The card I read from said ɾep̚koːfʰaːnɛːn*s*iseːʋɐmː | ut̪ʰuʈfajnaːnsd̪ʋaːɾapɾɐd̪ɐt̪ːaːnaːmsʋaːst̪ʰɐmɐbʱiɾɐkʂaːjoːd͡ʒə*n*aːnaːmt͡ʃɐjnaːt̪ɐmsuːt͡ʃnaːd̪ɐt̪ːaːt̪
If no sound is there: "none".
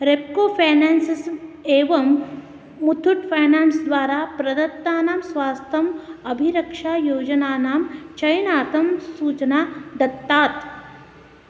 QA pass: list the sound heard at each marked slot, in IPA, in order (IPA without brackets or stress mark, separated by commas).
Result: s, n